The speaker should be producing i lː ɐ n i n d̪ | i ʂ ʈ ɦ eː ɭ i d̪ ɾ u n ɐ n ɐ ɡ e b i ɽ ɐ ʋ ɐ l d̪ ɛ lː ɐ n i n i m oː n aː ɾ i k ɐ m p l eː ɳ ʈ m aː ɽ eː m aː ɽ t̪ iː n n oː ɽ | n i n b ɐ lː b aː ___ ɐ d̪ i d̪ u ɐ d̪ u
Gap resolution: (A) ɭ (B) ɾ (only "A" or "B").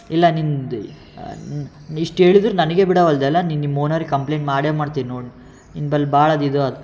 A